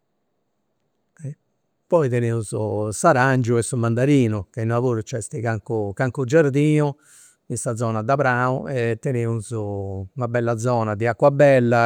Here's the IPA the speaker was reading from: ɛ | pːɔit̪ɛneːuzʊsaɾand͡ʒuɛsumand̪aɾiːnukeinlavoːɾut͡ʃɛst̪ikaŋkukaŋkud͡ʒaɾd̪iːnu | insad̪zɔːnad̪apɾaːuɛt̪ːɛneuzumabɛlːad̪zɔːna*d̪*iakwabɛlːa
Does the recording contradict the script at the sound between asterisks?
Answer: no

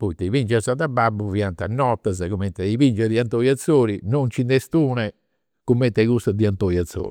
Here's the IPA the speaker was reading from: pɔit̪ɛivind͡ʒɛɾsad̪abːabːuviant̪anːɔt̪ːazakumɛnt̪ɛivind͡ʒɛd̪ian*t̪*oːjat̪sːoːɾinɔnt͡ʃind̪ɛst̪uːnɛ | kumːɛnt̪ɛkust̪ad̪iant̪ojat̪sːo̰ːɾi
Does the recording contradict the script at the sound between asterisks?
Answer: no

